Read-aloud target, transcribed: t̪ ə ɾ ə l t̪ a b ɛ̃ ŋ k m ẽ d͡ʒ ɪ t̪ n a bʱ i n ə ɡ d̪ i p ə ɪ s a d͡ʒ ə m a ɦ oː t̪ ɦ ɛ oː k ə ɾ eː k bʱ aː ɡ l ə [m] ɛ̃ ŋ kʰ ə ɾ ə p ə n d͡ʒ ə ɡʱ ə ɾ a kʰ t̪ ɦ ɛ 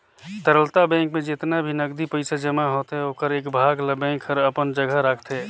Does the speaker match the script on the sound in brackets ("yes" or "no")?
no